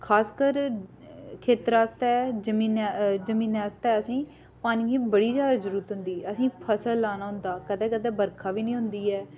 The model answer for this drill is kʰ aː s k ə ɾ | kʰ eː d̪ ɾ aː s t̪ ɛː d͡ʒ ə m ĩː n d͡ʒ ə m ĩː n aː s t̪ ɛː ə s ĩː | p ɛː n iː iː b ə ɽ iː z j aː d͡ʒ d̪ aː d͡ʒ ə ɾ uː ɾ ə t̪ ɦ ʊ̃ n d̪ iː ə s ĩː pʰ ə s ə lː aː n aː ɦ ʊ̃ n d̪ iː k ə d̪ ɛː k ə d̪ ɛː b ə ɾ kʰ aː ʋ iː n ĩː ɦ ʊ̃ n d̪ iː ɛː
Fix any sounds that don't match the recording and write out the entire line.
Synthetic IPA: kʰ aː s k ə ɾ | kʰ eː t̪ ɾ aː s t̪ ɛː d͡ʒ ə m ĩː n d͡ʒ ə m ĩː n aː s t̪ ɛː ə s ĩː | p aː n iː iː b ə ɽ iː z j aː d̪ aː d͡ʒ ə ɾ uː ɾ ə t̪ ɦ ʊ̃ n d̪ iː ə s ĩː pʰ ə s ə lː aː n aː ɦ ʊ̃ n d̪ aː k ə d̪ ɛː k ə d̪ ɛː b ə ɾ kʰ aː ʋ iː n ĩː ɦ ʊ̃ n d̪ iː ɛː